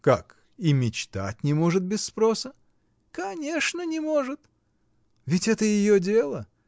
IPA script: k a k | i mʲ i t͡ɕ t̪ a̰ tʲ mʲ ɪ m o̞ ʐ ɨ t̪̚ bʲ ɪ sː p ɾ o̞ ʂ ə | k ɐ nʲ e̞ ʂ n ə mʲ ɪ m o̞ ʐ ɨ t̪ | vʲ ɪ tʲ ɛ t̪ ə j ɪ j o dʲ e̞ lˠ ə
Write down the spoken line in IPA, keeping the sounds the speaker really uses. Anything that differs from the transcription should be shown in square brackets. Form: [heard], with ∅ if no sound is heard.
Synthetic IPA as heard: k a k | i mʲ [ɪ] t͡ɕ t̪ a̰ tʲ [nʲ] ɪ m o̞ ʐ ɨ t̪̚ bʲ ɪ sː p ɾ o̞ [s] ə | k ɐ nʲ e̞ ʂ n ə [nʲ] ɪ m o̞ ʐ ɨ t̪ | vʲ ɪ tʲ ɛ t̪ ə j ɪ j o dʲ e̞ lˠ ə